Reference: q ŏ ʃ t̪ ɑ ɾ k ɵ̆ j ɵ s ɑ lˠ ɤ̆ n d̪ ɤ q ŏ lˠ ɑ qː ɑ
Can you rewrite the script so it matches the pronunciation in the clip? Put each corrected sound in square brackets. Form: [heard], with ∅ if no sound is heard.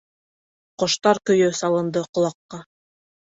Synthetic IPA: q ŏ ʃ t̪ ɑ ɾ k ɵ̆ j ɵ s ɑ lˠ ɤ̆ n d̪ ɤ q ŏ lˠ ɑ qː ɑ